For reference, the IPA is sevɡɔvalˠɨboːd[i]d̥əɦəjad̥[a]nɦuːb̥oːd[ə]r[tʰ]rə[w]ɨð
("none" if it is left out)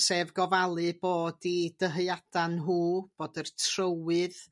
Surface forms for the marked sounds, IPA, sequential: i, a, ə, tʰ, w

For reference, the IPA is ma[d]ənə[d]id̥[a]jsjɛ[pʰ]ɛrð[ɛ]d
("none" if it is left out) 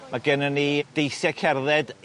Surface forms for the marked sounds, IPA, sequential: ɡ, n, e, kʰ, ɛ

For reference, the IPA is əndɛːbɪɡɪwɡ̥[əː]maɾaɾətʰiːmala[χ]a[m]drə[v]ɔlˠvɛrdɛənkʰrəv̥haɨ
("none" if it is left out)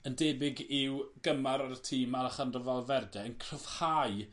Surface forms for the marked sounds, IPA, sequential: ə, χ, n, v

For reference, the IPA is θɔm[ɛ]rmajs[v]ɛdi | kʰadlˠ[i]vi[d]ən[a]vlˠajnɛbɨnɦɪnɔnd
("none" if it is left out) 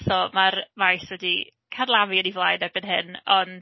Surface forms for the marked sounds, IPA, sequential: a, w, a, none, i

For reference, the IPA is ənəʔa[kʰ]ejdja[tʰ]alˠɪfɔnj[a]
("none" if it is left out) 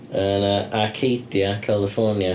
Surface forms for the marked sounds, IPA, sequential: kʰ, kʰ, a

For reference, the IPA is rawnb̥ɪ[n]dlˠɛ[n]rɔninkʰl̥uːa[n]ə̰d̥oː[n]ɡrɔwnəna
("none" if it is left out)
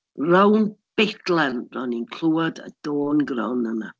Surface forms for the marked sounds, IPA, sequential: none, n, d, n

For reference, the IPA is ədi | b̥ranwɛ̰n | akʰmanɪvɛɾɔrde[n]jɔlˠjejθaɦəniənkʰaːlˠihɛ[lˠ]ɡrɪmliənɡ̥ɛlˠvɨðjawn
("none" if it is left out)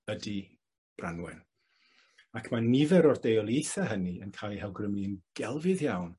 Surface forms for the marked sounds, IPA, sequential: none, lˠ

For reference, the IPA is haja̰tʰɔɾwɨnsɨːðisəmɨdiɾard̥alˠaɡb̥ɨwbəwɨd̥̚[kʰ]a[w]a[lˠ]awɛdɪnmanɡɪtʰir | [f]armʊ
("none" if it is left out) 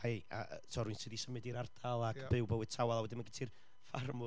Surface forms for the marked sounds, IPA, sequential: tʰ, w, lˠ, f

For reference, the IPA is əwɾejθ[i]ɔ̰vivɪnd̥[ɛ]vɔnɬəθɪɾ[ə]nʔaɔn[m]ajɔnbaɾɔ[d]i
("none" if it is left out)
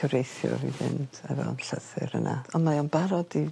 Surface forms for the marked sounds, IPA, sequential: j, ɛ, ə, m, d

